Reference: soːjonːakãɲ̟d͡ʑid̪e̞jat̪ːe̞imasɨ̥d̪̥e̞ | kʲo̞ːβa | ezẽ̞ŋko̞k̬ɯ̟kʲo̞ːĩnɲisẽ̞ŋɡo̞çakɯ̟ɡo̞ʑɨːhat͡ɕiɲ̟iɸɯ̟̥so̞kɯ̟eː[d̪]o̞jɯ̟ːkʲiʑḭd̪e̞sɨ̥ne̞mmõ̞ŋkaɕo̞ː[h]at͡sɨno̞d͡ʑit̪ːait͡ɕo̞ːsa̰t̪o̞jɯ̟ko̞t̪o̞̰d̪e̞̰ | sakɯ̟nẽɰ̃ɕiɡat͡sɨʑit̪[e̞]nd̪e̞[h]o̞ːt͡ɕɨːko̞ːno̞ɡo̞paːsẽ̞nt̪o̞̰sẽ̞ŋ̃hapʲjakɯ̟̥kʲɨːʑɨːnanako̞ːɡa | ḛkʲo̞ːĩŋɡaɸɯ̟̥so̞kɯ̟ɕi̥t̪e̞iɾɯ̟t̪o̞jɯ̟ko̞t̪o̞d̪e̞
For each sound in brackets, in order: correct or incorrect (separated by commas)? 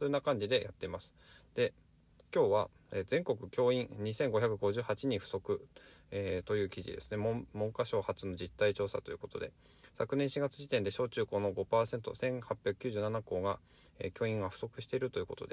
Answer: incorrect, correct, incorrect, incorrect